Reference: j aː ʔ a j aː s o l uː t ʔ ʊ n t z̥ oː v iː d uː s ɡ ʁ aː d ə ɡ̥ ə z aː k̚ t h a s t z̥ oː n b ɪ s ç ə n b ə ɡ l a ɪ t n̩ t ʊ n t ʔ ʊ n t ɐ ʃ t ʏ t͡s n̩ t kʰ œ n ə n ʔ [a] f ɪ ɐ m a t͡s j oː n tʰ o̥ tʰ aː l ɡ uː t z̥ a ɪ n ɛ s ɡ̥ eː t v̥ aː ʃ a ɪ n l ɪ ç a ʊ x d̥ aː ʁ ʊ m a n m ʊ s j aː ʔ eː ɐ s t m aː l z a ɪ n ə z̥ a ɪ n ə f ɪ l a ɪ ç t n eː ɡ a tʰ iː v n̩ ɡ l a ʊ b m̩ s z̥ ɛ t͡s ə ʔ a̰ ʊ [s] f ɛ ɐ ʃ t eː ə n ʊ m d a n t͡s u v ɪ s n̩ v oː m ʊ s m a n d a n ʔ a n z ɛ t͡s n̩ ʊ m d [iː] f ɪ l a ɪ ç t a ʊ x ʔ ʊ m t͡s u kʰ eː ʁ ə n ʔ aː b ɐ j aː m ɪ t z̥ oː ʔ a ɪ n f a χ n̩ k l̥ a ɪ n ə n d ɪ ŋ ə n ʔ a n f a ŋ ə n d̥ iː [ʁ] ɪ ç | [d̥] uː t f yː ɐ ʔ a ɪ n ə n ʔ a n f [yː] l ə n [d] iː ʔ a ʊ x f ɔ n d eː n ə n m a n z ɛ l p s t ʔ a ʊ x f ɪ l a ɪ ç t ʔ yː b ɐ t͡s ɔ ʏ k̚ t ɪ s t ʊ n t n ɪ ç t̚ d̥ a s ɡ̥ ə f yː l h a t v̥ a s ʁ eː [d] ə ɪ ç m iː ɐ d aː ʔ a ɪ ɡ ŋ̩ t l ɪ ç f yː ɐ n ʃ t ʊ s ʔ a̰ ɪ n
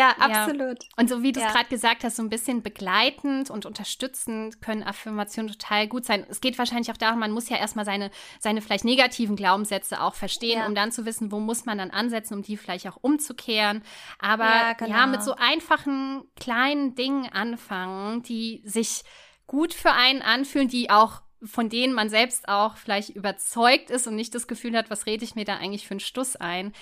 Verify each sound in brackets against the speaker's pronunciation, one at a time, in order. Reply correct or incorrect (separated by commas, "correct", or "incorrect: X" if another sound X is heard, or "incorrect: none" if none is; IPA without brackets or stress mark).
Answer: correct, incorrect: x, correct, incorrect: z, incorrect: ɡ̥, correct, correct, correct